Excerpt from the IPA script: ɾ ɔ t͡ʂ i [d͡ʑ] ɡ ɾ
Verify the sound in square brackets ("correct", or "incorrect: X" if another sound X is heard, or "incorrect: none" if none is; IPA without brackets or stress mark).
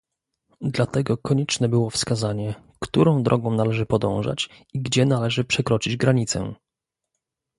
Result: correct